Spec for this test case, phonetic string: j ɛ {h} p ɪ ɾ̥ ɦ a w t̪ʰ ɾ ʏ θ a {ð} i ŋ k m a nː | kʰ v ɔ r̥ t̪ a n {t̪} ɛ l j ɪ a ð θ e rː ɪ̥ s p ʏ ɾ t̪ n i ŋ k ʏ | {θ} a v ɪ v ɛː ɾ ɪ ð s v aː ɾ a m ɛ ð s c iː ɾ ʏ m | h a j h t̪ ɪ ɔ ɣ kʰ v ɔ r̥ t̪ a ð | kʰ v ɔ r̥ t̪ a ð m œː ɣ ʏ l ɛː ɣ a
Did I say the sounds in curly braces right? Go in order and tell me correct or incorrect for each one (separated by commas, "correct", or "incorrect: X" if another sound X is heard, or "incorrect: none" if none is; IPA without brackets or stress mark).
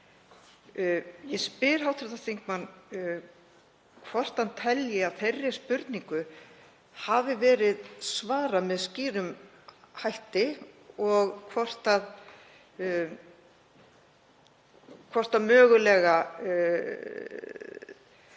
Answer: incorrect: s, incorrect: θ, incorrect: t̪ʰ, incorrect: h